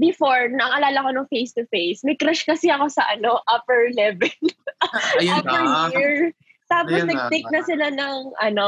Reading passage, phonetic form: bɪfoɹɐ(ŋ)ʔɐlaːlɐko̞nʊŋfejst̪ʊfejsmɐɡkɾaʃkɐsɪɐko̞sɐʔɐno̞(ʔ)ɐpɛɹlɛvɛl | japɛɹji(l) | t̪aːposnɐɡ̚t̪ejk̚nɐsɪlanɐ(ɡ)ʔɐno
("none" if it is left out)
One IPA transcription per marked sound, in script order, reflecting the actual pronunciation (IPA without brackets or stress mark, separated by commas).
ŋ, ʔ, ɹ, ŋ